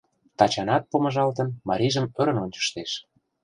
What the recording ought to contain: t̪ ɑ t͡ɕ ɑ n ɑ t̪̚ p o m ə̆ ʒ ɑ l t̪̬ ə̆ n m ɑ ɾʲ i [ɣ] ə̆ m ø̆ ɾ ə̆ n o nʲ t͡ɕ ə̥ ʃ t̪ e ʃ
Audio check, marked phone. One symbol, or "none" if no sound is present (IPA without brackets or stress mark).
ʒ